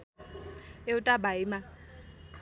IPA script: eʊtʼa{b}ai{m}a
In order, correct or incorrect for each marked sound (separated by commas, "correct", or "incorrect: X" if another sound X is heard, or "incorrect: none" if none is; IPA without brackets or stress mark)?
correct, correct